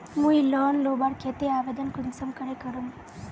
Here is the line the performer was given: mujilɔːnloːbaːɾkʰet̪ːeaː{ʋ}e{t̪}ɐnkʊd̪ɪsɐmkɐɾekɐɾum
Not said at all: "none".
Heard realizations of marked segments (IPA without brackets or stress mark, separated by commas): ʋ, d̪